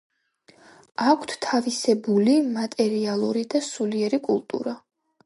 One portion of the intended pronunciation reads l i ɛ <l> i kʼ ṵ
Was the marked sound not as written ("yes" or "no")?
yes